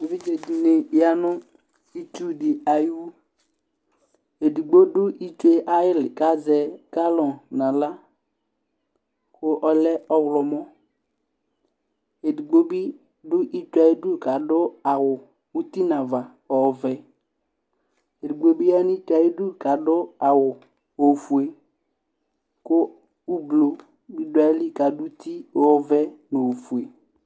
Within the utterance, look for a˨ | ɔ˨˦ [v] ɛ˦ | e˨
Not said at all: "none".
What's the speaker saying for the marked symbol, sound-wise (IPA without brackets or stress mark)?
v